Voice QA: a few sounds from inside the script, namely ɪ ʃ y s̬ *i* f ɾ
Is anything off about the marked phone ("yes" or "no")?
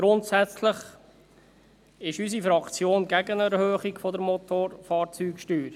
no